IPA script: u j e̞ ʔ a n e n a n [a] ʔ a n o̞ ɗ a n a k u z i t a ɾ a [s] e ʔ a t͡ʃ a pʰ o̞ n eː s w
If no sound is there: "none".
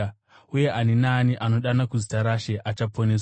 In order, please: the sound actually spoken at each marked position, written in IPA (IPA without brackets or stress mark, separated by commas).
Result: i, ʃ